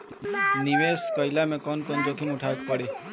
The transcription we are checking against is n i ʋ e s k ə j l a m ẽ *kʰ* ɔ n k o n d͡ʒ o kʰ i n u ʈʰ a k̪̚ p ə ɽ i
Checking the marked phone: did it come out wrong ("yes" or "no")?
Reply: yes